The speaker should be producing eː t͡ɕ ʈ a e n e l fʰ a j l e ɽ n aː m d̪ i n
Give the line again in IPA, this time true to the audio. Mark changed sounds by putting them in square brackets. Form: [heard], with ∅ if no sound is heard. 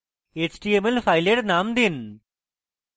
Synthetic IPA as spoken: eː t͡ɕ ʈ [i] e [m] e l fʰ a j l e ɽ n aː m d̪ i n